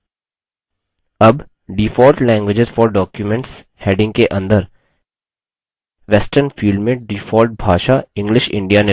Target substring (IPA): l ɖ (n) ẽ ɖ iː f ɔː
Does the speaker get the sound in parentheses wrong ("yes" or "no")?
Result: yes